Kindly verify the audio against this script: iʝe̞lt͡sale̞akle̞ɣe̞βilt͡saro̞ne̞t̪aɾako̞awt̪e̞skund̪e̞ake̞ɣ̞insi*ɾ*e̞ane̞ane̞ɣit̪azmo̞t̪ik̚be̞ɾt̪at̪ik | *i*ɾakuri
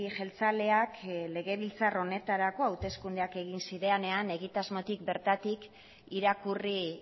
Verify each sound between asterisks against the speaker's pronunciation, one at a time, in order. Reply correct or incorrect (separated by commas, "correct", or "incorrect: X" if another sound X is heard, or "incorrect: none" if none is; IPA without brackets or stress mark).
correct, correct